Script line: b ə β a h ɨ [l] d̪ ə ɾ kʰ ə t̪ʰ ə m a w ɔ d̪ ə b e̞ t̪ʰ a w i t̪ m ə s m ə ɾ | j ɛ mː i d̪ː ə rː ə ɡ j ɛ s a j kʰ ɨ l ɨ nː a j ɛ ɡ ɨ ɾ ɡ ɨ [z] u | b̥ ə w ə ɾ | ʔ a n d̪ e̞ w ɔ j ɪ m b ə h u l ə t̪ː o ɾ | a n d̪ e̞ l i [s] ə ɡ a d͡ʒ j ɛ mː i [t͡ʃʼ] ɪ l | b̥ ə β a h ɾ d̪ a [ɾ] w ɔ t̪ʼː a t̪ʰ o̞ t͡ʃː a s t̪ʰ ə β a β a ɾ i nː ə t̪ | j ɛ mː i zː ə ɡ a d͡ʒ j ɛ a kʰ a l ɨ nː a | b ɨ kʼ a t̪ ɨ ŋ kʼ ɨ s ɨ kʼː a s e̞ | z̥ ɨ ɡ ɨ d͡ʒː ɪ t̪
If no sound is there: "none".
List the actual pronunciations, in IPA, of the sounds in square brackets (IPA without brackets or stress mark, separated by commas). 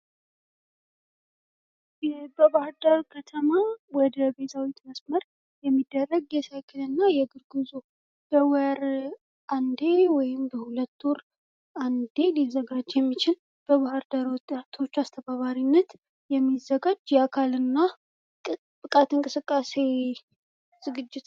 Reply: ɾ, z, z, t͡ʃ, ɾ